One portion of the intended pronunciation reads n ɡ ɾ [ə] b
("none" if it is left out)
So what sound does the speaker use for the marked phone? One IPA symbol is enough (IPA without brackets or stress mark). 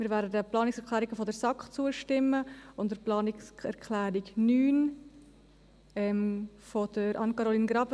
ɑ